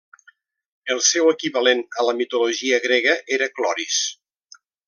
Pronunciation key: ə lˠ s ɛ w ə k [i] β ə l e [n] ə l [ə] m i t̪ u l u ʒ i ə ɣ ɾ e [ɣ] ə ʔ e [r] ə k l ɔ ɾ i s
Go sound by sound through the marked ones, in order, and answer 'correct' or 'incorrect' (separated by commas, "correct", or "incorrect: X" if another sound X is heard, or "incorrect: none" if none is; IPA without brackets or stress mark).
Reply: correct, correct, correct, correct, incorrect: ɾ